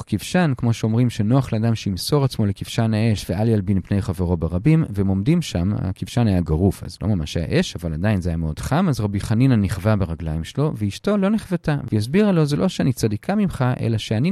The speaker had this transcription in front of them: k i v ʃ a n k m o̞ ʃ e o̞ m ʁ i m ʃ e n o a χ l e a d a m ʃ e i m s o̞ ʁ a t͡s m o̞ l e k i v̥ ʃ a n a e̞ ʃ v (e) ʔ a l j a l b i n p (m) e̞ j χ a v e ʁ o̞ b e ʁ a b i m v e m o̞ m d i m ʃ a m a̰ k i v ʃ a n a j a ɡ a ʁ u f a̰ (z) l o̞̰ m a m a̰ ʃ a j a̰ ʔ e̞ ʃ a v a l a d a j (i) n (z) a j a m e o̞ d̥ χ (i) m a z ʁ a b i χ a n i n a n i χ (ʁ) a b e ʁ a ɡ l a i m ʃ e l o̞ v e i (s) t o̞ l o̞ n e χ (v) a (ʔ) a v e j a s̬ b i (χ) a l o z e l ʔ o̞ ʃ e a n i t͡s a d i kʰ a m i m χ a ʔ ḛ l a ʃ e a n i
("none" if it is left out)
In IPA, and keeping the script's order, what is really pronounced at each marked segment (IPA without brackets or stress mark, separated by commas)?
e, n, z, i, z, a, v, ʃ, v, t, ʁ